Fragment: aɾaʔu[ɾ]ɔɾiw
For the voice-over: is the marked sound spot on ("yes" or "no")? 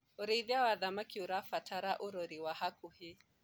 yes